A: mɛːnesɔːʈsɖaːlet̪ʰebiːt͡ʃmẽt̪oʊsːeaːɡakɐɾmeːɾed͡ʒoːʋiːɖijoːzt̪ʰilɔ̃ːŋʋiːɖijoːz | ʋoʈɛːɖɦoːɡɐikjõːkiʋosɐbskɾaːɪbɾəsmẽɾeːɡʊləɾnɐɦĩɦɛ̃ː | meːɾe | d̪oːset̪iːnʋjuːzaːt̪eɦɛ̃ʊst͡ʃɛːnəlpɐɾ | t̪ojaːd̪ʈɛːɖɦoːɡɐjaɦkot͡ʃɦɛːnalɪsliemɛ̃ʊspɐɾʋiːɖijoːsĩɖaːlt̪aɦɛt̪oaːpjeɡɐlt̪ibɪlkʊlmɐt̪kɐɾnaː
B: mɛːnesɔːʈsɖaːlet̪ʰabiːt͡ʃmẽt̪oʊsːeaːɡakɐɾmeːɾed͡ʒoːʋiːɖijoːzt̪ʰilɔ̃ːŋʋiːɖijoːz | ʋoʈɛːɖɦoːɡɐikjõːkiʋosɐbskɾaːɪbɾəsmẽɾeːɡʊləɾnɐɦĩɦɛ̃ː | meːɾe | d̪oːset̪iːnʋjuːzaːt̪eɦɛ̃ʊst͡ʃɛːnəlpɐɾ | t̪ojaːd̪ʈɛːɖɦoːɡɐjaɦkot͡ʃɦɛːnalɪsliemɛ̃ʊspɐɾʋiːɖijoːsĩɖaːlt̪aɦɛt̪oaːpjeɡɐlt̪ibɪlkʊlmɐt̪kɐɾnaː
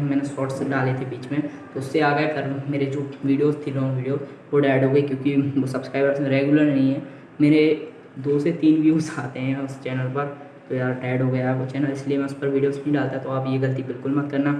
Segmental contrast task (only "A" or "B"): A